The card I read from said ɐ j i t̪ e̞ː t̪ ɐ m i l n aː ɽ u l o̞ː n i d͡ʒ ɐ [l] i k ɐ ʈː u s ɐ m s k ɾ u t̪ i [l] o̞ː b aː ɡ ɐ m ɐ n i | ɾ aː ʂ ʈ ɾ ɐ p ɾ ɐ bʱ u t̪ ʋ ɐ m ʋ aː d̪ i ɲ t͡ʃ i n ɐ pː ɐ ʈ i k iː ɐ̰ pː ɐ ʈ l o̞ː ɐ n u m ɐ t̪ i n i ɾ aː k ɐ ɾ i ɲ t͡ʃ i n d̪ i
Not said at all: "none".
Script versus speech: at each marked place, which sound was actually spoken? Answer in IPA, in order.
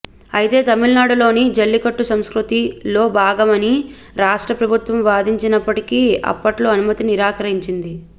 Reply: lː, l

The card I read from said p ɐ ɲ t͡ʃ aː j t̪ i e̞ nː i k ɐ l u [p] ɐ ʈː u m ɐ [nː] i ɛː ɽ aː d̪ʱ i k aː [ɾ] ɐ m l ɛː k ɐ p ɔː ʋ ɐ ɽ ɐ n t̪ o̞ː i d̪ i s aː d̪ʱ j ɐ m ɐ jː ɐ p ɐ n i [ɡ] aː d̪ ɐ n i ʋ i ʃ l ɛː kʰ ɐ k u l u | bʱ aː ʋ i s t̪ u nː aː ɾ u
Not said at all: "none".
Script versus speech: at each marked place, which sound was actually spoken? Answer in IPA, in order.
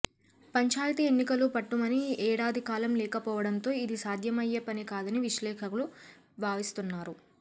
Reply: p, n, l, k

